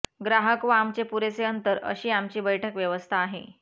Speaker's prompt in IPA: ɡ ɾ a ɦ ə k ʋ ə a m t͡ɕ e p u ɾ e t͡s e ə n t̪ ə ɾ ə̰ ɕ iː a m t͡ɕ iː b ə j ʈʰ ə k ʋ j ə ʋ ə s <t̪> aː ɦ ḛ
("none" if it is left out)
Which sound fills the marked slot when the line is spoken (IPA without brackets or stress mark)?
t̪ʰ